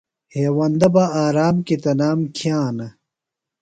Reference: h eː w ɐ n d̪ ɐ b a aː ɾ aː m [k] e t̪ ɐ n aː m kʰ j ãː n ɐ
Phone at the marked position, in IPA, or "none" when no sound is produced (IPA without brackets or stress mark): k